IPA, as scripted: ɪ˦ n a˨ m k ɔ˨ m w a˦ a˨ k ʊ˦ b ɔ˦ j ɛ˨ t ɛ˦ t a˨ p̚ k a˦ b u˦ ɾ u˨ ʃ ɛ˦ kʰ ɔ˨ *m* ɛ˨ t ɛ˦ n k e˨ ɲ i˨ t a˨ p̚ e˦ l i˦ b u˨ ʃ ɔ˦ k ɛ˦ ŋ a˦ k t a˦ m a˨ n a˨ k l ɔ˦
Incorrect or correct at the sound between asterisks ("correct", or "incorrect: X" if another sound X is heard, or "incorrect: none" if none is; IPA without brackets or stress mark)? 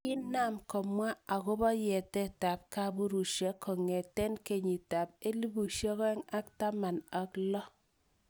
incorrect: ŋ